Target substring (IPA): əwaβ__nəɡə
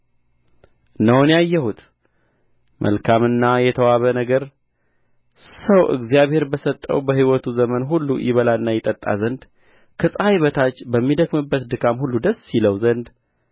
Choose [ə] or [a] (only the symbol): ə